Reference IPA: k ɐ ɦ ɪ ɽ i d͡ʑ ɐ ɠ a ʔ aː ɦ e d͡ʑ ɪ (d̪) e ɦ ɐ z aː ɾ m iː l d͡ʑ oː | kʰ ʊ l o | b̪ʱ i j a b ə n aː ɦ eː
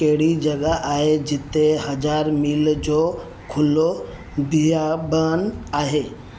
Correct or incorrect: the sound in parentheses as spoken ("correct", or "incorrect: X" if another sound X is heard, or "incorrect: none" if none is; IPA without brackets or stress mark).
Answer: incorrect: t̪